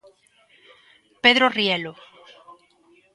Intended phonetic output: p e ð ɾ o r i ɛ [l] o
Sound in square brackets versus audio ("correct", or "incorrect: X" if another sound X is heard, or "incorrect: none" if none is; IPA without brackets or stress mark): correct